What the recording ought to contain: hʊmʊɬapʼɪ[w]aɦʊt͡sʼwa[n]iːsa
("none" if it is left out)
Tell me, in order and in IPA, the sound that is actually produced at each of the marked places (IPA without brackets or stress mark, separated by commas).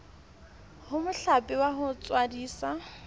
w, d